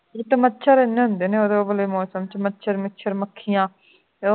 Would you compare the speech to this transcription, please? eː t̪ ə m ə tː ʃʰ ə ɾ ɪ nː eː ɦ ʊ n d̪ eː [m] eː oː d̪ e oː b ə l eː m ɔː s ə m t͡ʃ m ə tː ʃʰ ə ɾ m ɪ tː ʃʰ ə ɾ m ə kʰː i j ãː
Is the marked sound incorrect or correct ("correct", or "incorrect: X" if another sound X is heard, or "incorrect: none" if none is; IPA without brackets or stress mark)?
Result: incorrect: n